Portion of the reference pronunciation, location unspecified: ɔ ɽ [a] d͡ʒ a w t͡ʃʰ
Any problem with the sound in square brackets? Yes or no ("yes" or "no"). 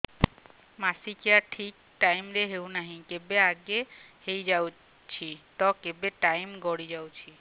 yes